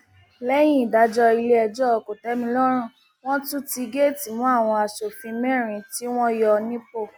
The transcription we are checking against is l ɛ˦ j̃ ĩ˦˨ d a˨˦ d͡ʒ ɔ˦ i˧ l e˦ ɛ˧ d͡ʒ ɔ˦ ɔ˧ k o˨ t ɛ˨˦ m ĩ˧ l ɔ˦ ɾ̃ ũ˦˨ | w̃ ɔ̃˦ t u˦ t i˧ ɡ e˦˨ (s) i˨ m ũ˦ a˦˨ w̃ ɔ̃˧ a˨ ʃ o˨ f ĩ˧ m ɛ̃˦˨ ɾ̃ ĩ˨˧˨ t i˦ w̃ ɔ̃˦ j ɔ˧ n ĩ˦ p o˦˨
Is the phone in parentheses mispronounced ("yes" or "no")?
yes